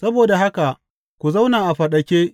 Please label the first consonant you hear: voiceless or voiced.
voiceless